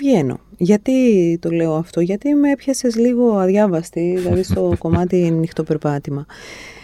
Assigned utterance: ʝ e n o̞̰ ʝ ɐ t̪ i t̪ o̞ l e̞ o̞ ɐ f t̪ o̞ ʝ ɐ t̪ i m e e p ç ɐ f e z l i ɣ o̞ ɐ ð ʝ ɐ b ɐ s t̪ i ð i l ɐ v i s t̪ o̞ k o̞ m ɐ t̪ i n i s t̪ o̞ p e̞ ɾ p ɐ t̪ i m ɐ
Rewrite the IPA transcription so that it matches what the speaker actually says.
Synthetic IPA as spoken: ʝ e n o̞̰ ʝ ɐ t̪ i t̪ o̞ l e̞ o̞ ɐ f t̪ o̞ ʝ ɐ t̪ i m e e p ç ɐ s e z l i ɣ o̞ ɐ ð ʝ ɐ v ɐ s t̪ i ð i l ɐ ð i s t̪ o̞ k o̞ m ɐ t̪ i n i x t̪ o̞ p e̞ ɾ p ɐ t̪ i m ɐ